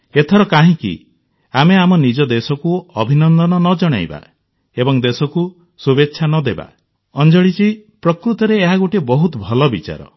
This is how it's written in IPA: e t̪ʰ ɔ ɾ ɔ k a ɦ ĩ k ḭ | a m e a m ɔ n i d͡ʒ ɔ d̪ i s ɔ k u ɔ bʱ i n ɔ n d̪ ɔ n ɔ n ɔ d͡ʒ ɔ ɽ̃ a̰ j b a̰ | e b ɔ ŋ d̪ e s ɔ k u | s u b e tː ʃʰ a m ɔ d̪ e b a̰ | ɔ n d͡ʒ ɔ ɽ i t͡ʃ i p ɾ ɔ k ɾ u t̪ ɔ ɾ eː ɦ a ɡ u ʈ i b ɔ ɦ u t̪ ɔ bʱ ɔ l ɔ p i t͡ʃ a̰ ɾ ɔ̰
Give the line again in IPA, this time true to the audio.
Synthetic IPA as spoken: e t̪ʰ ɔ ɾ ɔ k a ɦ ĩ k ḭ | a m e a m ɔ n i d͡ʒ ɔ d̪ e s ɔ k u ɔ bʱ i n ɔ n d̪ ɔ n ɔ n ɔ d͡ʒ ɔ ɽ̃ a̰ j b a̰ | e b ɔ ŋ d̪ e s ɔ k u | s u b e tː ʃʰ a n ɔ d̪ e b a̰ | ɔ n d͡ʒ ɔ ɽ i t͡ʃ i p ɾ ɔ k ɾ u t̪ ɔ ɾ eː ɦ a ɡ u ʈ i b ɔ ɦ u t̪ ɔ bʱ ɔ l ɔ b i t͡ʃ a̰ ɾ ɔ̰